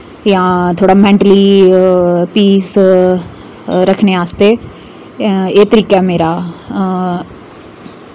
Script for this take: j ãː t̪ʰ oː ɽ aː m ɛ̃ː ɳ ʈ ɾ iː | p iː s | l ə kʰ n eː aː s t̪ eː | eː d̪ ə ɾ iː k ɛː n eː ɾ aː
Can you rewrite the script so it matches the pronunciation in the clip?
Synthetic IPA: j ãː t̪ʰ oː ɽ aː m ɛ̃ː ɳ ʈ l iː | p iː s | ɾ ə kʰ n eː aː s t̪ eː | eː t̪ ə ɾ iː k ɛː m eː ɾ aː